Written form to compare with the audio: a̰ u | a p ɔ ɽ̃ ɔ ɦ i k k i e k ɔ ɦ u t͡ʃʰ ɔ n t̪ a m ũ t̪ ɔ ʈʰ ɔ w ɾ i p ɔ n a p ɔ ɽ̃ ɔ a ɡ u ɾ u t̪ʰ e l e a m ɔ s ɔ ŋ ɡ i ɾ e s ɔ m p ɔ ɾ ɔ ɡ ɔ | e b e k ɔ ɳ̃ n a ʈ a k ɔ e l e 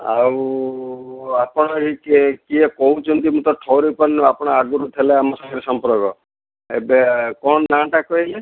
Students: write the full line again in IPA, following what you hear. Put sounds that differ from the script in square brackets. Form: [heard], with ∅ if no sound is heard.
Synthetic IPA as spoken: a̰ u | a p ɔ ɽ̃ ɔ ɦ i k k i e k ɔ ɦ u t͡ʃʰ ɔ n t̪ [i] m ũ t̪ ɔ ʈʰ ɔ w ɾ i p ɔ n a p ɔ ɽ̃ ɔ a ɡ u ɾ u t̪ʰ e l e a m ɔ s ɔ ŋ ɡ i ɾ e s ɔ m p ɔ ɾ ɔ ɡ ɔ | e b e k ɔ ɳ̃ n a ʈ a k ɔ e l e